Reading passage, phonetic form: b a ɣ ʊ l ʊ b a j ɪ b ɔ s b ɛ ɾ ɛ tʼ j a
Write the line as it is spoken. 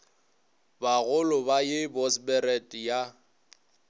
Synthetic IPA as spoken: b a ɣ ʊ l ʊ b a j ɪ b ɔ s b ɛ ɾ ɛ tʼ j a

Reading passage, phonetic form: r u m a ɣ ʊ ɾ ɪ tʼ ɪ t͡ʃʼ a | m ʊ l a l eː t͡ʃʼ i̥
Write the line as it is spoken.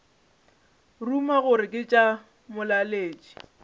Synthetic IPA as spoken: r u m a ɣ ʊ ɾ ɪ kʼ ɪ t͡ʃʼ a | m ʊ l a l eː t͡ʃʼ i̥

